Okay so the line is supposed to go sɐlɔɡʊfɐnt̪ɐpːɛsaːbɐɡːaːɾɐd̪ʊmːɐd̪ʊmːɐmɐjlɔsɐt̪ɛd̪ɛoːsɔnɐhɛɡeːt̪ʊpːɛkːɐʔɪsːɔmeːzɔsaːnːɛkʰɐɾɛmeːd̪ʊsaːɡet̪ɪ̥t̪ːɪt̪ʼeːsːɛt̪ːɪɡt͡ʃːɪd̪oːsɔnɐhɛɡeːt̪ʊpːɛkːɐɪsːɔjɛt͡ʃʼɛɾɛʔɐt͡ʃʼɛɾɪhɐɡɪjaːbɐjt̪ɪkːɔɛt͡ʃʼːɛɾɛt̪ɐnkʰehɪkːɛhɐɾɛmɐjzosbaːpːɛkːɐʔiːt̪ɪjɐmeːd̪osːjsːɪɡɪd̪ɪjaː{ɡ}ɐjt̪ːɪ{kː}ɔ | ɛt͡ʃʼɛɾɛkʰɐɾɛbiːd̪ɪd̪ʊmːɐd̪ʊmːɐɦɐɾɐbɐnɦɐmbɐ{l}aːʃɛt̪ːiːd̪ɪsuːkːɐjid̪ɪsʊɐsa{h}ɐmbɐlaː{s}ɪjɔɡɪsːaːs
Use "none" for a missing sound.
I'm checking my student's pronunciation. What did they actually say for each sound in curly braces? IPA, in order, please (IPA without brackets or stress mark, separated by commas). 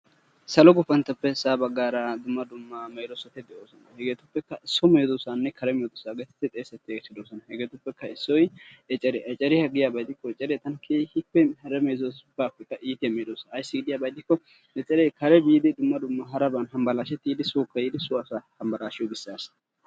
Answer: b, kː, l, h, ʃ